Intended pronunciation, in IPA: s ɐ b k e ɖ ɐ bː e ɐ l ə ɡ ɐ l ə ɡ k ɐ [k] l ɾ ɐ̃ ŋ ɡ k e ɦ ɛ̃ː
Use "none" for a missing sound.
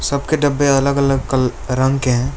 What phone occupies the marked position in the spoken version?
none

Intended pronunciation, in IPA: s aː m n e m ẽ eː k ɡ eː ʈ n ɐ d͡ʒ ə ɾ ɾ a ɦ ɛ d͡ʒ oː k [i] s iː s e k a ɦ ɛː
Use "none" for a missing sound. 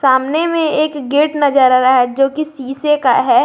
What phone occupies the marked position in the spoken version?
i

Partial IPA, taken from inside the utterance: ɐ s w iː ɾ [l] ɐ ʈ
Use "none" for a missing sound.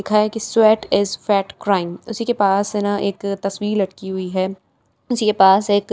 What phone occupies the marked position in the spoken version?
l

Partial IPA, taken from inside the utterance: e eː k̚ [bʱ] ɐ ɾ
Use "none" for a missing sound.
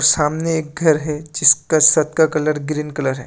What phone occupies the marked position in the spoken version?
ɡʱ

